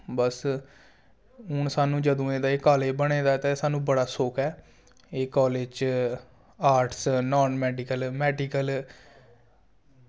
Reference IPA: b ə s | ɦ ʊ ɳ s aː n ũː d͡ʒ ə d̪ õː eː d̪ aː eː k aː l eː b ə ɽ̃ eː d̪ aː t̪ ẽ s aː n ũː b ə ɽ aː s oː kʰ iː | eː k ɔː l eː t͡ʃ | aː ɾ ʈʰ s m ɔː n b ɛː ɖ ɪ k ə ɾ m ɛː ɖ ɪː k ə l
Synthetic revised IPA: b ə s | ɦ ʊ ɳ s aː n ũː d͡ʒ ə d̪ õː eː d̪ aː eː k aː l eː b ə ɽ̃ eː d̪ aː t̪ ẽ s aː n ũː b ə ɽ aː s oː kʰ ɛː | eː k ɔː l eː t͡ʃ | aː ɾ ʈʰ s n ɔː n m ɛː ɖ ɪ k ə l m ɛː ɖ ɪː k ə l